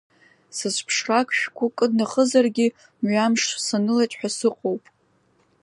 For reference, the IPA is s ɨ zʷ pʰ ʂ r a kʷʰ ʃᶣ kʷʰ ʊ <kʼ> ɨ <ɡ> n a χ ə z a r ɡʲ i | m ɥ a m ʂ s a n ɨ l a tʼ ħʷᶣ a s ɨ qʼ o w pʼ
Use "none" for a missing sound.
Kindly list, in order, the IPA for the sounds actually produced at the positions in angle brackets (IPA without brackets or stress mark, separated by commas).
kʼ, d